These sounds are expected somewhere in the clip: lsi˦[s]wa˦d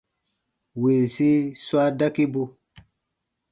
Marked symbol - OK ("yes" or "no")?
yes